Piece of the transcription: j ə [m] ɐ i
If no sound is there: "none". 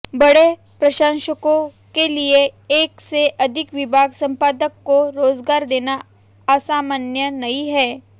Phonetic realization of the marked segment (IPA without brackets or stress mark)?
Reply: n